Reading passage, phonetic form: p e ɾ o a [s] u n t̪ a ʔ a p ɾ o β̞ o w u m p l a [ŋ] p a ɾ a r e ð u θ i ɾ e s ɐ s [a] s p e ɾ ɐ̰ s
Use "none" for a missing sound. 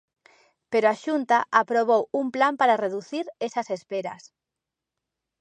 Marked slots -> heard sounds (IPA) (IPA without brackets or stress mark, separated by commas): ʃ, m, e